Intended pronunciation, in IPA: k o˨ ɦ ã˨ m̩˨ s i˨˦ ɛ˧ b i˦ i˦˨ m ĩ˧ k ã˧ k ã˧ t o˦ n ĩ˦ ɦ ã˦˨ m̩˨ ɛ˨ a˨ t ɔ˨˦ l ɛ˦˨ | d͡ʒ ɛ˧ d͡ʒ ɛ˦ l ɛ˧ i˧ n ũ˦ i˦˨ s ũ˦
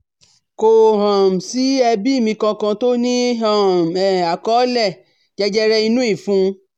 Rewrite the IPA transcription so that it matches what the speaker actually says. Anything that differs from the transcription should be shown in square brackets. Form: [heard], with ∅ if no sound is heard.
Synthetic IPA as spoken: k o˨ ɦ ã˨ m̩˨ s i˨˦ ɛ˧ b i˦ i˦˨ m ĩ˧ k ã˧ k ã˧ t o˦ n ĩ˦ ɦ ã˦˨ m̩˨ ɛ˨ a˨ [k] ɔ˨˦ l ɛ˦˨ | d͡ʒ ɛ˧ d͡ʒ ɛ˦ [ɾ] ɛ˧ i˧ n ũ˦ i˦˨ [f] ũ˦